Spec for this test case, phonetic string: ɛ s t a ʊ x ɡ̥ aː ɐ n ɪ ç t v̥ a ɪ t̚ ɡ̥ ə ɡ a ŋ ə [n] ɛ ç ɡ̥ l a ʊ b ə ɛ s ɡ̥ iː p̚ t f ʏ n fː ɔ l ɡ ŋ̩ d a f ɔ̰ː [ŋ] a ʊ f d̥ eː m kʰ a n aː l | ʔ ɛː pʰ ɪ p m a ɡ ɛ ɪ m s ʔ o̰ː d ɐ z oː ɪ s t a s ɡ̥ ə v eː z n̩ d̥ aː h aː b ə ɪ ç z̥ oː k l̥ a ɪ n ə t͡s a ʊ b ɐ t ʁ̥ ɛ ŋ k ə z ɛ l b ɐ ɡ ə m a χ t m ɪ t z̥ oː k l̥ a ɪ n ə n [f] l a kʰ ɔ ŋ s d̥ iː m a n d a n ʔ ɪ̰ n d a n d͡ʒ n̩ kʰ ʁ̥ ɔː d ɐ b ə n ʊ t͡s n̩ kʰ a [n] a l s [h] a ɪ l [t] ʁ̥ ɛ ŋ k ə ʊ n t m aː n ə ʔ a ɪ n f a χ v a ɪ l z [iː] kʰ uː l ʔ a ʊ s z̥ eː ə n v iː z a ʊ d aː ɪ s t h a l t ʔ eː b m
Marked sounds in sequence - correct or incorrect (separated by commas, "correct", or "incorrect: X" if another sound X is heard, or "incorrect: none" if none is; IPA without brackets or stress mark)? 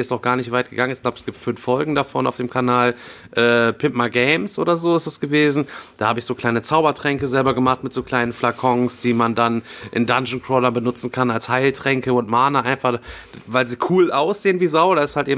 correct, incorrect: n, correct, correct, correct, correct, correct